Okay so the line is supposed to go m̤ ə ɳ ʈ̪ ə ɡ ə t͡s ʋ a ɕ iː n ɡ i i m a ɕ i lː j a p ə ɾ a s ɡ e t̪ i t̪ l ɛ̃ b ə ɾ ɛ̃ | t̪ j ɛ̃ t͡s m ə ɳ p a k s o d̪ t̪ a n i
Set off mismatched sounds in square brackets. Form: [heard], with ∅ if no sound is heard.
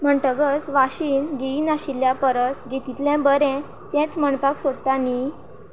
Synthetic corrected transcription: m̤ ə ɳ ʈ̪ ə ɡ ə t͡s ʋ a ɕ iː n ɡ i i [n] a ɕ i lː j a p ə ɾ [ə] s ɡ e t̪ i t̪ l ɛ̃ b ə ɾ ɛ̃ | t̪ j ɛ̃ t͡s m ə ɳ p a k s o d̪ t̪ a n i